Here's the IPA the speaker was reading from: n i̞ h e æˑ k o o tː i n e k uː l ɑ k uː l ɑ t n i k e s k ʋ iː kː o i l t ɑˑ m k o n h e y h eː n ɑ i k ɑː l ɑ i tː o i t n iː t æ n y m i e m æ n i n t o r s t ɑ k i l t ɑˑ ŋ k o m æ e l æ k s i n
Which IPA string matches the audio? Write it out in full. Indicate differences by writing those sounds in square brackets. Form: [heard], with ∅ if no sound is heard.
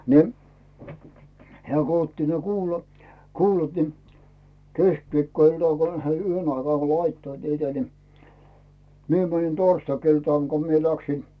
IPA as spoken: n i̞ h e æˑ k o o tː i n e k uː l ɑ k uː l ɑ t n i k e s k ʋ iː kː o i l t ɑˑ [ŋ] k o n h e y h [e] n ɑ i k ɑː l ɑ i tː o i t n iː t æ n [i] m i e m æ n i n t o r s t ɑ k i l t ɑˑ ŋ k o m [i] e l æ k s i n